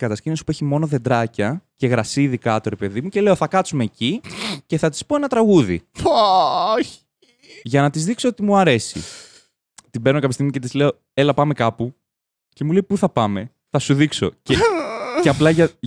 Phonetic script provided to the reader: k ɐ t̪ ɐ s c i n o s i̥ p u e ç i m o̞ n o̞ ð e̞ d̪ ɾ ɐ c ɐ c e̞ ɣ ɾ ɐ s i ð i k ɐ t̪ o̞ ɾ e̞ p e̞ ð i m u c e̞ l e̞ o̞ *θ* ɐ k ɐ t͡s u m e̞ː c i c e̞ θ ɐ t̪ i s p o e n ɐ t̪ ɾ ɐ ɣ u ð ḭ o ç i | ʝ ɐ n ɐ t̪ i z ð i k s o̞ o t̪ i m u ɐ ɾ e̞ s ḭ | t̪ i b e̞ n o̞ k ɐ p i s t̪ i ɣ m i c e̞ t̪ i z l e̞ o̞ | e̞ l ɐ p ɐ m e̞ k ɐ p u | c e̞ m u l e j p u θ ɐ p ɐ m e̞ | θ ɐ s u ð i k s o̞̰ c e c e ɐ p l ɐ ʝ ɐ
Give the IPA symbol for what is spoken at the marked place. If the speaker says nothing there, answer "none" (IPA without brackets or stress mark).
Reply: θ